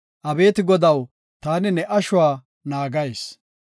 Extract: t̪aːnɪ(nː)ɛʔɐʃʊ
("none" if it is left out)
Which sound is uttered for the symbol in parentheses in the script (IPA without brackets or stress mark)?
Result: n